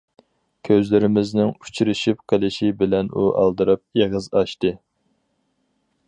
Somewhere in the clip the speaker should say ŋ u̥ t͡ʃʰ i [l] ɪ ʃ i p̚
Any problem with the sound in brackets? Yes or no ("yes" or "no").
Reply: yes